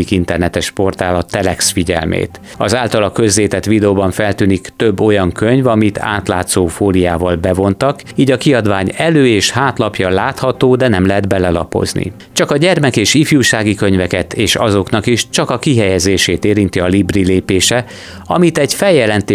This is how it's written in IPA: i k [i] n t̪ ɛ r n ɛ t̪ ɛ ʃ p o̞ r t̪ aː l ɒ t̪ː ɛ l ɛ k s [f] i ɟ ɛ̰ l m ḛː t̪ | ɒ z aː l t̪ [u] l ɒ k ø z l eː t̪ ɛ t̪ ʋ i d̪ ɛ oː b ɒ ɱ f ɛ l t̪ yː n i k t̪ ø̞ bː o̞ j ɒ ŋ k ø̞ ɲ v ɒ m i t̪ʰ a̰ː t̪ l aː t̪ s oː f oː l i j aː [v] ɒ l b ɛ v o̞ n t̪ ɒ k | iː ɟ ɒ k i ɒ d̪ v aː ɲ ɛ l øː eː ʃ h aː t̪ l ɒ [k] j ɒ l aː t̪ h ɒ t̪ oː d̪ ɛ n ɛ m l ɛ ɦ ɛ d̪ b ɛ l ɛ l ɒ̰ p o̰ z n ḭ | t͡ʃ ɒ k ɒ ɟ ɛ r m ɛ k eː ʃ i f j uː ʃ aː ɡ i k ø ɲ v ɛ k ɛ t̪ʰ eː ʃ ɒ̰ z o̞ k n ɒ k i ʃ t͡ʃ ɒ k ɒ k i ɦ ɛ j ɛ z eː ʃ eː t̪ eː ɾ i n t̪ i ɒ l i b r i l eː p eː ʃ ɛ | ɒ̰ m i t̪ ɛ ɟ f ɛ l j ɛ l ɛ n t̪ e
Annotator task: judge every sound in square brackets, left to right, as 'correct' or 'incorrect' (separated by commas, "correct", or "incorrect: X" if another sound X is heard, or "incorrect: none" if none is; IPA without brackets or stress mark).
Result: correct, correct, incorrect: ɒ, correct, incorrect: p